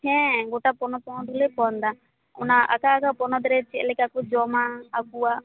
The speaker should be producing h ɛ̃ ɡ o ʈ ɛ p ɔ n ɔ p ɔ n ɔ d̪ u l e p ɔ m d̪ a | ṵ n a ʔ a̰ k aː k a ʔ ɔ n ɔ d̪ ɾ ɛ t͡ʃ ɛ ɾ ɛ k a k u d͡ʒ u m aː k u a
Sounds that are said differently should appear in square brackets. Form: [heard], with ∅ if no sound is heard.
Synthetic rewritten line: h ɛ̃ ɡ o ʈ [a] p ɔ n ɔ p ɔ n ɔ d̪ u l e p ɔ [n] d̪ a | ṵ n a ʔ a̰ k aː k a [p] ɔ n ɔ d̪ ɾ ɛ t͡ʃ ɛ [l] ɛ k a k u d͡ʒ [ɔ] m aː k u a